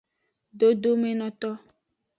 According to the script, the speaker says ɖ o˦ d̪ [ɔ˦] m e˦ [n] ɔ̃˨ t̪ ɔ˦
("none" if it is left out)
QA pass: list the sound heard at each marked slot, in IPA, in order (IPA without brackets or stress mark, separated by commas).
o˦, n